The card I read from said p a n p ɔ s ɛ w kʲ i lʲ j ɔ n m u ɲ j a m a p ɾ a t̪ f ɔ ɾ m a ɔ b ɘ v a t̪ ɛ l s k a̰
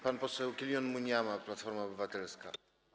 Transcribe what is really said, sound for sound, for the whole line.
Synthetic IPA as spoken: p a n p ɔ s ɛ w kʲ i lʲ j ɔ n m u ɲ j a m a p l a t̪ f ɔ ɾ m a ɔ b ɘ v a t̪ ɛ l s k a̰